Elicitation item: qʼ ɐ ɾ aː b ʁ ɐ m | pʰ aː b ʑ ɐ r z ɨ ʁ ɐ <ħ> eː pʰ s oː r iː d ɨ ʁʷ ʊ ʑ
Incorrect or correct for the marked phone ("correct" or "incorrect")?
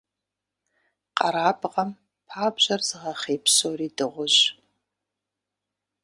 incorrect